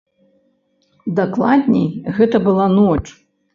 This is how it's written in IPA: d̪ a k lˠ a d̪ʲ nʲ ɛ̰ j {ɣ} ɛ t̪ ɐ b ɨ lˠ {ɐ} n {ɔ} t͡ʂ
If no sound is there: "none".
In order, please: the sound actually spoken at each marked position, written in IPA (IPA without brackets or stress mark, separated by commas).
ɣ, a, ɔ